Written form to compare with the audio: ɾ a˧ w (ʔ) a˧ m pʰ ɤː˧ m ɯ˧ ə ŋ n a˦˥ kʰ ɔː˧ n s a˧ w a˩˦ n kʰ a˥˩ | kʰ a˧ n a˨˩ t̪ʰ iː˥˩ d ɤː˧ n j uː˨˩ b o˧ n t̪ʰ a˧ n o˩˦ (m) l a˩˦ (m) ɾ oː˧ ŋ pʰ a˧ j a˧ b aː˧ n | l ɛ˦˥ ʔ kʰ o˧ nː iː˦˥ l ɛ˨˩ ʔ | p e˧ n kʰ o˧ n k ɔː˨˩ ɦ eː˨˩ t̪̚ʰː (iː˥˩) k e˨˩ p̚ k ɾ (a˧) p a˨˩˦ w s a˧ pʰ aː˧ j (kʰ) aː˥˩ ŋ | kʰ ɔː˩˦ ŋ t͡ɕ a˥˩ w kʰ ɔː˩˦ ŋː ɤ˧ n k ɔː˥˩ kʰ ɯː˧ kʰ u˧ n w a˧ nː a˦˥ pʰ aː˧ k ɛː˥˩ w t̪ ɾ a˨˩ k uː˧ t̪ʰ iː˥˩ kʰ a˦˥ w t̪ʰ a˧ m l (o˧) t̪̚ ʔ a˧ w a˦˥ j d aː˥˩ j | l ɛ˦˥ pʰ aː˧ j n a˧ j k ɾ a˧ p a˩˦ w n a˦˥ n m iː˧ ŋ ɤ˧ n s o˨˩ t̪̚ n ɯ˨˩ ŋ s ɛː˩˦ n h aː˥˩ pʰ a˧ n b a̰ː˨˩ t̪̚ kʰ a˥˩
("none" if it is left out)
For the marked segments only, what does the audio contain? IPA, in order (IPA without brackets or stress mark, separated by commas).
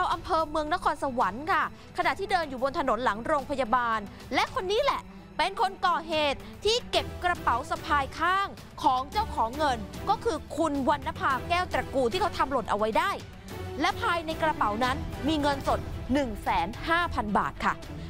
ʔ, n, ŋ, iː˥˩, a˧, kʰ, o˨˩